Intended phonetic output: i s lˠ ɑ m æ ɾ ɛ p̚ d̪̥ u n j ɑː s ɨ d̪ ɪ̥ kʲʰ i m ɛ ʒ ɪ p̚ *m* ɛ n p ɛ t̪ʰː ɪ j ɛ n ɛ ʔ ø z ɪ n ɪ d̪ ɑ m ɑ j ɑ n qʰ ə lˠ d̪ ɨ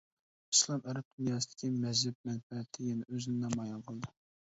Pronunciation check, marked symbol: correct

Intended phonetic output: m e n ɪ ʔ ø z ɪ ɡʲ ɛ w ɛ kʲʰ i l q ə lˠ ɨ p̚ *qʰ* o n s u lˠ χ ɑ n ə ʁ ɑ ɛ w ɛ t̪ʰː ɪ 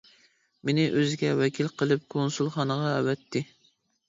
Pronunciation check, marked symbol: incorrect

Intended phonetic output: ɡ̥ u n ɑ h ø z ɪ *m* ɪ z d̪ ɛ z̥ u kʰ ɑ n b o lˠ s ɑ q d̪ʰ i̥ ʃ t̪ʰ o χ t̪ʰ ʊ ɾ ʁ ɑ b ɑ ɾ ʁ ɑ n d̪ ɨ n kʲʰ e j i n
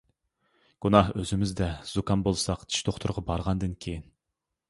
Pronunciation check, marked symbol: correct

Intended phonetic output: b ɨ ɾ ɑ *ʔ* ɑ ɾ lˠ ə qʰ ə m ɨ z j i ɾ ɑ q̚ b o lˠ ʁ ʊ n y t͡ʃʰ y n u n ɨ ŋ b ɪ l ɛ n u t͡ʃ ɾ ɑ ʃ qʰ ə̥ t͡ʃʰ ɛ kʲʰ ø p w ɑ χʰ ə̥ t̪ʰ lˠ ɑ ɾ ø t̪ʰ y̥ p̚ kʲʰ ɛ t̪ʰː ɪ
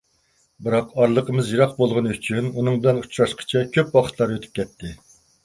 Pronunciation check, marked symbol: incorrect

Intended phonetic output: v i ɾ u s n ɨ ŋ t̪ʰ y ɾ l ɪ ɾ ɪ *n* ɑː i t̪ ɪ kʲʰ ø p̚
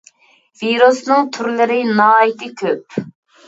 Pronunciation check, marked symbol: correct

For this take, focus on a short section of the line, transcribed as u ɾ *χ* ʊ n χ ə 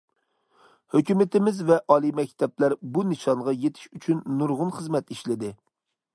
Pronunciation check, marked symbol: incorrect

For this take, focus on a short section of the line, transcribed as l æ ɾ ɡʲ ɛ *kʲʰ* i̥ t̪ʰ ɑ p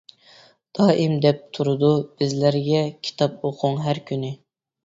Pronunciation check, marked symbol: correct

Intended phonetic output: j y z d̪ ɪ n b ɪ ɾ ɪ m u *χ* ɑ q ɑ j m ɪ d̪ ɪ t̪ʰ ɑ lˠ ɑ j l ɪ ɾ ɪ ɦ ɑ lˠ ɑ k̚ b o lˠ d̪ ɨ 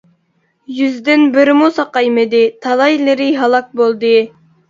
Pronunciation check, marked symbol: incorrect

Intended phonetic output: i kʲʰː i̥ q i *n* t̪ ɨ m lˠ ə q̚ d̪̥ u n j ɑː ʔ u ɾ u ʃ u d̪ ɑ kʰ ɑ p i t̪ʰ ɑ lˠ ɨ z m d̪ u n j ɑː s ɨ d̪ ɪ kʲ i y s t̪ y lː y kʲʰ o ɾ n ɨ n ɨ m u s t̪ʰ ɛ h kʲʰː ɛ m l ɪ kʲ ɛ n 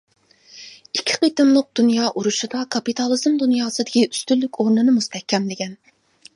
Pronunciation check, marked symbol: incorrect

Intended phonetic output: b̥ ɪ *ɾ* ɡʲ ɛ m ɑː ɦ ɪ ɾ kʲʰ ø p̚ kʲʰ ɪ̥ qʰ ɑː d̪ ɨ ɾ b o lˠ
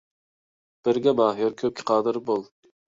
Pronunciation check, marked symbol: correct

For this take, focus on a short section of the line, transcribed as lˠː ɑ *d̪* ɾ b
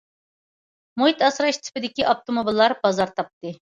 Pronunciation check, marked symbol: incorrect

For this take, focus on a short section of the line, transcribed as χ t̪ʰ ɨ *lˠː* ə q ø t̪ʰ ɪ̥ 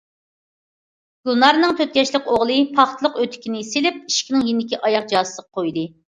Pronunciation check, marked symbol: incorrect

